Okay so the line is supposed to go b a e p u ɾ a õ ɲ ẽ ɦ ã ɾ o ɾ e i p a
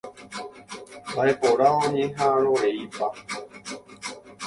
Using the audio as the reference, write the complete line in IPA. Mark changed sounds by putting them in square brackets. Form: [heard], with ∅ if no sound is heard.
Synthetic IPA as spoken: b a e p [o] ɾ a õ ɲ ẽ ɦ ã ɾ o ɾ e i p a